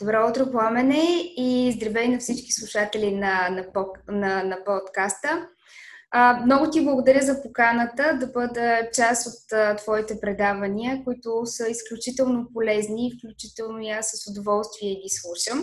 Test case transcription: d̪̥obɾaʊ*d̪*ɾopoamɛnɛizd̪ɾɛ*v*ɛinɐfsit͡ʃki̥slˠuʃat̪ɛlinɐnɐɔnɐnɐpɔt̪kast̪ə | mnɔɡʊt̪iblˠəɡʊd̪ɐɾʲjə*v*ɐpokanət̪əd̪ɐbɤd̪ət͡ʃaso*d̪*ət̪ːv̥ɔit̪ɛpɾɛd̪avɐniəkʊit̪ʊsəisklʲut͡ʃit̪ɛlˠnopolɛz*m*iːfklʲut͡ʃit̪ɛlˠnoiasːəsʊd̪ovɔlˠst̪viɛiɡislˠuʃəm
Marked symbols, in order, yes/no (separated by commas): no, yes, no, no, no